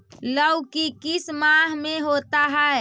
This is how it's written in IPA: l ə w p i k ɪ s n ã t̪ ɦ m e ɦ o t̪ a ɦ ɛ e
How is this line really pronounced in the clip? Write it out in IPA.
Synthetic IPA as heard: l ə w k i k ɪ s m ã ɦ m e ɦ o t̪ a ɦ ɛ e